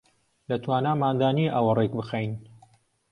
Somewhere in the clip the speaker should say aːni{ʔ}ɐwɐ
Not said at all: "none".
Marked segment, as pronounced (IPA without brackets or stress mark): ʔ